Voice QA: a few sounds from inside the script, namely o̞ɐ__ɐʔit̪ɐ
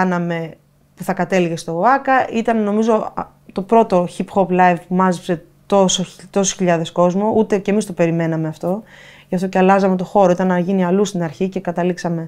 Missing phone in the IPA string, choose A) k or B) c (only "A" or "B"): A